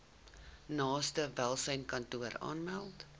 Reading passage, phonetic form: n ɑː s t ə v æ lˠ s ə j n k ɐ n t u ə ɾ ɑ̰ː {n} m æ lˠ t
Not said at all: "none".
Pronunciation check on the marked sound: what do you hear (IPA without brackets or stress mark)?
n